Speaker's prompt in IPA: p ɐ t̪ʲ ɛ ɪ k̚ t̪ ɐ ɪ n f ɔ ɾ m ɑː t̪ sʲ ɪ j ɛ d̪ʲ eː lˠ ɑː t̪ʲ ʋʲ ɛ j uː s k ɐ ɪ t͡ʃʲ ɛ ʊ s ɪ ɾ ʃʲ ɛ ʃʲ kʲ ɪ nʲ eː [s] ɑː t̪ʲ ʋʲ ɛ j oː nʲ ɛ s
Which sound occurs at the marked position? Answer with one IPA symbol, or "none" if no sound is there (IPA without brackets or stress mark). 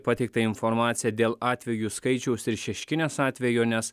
s